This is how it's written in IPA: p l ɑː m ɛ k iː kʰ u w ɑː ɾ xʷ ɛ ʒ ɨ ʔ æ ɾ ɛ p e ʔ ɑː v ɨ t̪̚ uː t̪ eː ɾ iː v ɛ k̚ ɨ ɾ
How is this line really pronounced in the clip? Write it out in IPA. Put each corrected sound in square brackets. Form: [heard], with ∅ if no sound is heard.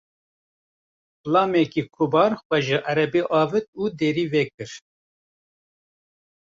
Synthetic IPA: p l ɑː m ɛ k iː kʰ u [b] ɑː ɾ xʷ ɛ ʒ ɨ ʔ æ ɾ ɛ [b] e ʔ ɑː v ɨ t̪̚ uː [d̪] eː ɾ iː v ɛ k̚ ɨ ɾ